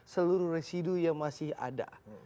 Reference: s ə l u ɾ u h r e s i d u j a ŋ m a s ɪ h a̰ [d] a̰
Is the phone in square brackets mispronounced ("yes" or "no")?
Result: no